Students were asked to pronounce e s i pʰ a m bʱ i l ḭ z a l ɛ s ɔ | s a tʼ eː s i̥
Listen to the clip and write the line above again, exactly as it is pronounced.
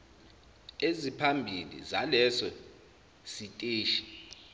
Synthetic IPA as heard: e z i pʰ a m bʱ i l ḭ z a l ɛ s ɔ | s i tʼ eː ʃ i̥